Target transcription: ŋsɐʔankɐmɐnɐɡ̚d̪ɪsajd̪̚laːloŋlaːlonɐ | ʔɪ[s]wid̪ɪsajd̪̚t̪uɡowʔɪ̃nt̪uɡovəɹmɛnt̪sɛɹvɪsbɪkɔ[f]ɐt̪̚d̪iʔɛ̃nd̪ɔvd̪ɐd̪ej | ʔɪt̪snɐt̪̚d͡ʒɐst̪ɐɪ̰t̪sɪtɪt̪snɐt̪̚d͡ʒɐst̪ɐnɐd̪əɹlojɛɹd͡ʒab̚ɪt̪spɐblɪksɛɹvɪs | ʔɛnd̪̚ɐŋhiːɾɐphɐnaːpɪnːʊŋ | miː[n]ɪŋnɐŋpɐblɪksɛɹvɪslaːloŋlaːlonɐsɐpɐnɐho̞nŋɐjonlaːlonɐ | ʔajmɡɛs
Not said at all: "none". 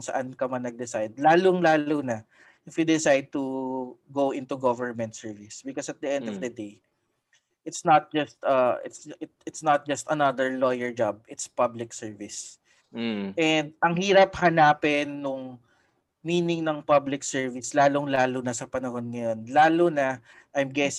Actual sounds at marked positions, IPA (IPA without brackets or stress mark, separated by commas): f, s, n